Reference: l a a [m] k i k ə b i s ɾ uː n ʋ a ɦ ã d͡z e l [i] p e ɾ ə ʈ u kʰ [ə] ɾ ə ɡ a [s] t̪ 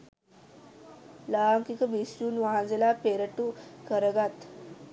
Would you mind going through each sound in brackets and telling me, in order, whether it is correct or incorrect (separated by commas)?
incorrect, incorrect, correct, incorrect